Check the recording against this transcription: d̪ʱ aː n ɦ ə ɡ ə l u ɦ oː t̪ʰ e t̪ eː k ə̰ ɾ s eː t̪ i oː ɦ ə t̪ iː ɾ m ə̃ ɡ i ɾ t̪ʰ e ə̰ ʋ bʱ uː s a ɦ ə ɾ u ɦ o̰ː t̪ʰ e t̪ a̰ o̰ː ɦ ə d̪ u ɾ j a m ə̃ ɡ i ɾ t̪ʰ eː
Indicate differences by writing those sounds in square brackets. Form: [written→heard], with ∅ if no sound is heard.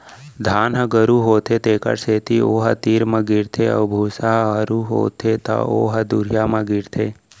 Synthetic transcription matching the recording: d̪ʱ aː n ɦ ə ɡ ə [l→ɾ] u ɦ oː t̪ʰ e t̪ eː k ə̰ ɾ s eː t̪ i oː ɦ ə t̪ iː ɾ m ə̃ ɡ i ɾ t̪ʰ e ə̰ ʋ bʱ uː s a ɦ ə ɾ u ɦ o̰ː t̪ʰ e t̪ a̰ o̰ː ɦ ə d̪ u ɾ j a m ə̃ ɡ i ɾ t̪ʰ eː